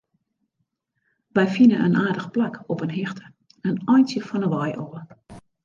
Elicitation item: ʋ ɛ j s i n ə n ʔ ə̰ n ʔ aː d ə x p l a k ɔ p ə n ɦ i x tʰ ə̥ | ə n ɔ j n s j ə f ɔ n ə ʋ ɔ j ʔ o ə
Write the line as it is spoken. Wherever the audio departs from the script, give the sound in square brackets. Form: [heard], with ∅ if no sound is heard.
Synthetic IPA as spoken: ʋ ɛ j [f] i n ə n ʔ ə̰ n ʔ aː d ə x p l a k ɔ p ə n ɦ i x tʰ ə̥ | ə n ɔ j n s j ə f ɔ n ə ʋ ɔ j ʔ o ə